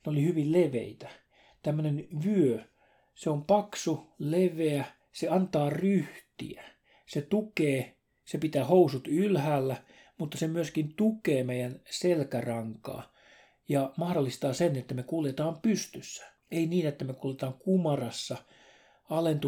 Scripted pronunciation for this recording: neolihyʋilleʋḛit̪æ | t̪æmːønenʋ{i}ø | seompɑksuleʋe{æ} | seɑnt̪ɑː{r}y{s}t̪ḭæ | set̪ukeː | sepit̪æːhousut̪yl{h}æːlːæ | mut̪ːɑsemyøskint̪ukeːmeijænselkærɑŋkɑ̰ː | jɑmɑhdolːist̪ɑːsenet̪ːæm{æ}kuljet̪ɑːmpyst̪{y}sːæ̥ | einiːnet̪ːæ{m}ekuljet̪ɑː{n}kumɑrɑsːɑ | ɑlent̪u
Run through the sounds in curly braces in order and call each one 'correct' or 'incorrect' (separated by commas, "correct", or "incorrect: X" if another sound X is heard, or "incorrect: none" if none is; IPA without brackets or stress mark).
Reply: incorrect: y, correct, correct, incorrect: h, correct, incorrect: e, correct, correct, incorrect: ŋ